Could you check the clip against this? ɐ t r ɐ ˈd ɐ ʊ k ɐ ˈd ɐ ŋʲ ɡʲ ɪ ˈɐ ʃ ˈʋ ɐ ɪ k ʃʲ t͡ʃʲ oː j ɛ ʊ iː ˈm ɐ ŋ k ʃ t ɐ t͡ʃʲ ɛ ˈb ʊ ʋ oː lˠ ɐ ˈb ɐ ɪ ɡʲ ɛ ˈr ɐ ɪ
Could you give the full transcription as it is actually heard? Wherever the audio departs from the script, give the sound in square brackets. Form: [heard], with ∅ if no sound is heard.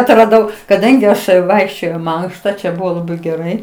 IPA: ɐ t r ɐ ˈd ɐ ʊ k ɐ ˈd ɐ ŋʲ ɡʲ ɪ ˈɐ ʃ ˈʋ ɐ ɪ k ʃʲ t͡ʃʲ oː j ɛ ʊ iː ˈm ɐ ŋ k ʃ t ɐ t͡ʃʲ ɛ ˈb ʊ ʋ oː lˠ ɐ ˈb ɐ ɪ ɡʲ ɛ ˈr ɐ ɪ